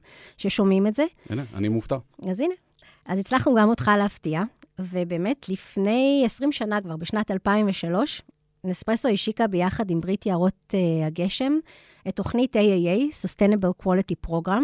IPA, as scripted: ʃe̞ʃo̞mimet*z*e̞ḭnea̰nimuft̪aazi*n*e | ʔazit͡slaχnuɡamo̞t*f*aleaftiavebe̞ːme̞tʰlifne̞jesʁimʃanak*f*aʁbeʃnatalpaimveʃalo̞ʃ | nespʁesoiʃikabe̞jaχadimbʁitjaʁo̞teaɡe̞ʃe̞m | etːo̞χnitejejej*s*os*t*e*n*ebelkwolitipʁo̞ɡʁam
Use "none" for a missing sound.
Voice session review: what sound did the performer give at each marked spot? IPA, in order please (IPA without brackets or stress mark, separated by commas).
z, n, χ, v, s, t, n